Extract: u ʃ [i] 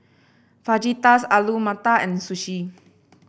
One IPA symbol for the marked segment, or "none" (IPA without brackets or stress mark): i